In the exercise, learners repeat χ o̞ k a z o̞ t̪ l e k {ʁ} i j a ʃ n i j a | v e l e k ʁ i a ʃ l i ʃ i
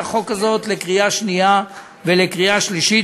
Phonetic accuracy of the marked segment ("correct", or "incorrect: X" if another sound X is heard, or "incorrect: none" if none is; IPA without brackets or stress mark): correct